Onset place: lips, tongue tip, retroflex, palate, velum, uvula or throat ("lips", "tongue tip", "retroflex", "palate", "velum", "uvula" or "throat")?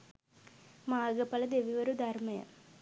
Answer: lips